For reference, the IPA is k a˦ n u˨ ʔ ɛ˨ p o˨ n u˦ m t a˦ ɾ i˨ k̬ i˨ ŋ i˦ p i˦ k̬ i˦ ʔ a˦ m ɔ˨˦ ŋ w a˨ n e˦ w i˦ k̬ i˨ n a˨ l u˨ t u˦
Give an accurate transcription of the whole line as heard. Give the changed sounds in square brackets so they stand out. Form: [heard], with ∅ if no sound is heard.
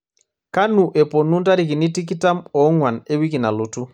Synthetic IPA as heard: k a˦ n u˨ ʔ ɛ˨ p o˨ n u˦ [n] t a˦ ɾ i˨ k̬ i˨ [n] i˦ [t] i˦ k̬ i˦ [t] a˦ m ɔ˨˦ ŋ w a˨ n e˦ w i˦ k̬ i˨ n a˨ l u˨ t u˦